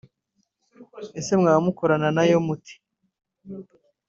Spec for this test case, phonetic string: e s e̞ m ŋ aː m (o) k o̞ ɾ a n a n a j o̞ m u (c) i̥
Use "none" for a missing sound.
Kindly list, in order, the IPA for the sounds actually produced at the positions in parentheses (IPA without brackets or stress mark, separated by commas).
u, t